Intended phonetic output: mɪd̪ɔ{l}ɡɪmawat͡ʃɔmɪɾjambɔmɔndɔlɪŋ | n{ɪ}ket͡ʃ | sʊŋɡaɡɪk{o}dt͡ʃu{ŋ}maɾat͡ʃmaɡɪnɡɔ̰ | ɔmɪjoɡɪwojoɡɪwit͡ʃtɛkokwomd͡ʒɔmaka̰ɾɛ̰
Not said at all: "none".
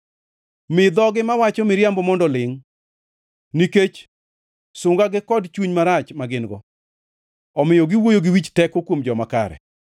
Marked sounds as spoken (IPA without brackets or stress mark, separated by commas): none, i, ɔ, ɲ